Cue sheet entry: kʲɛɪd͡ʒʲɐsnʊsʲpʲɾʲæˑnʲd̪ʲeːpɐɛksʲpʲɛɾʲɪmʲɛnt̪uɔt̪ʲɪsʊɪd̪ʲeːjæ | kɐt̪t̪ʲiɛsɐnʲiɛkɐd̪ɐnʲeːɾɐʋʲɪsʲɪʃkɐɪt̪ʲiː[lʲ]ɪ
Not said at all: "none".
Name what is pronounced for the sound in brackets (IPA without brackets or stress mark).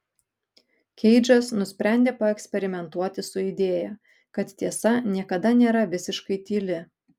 lʲ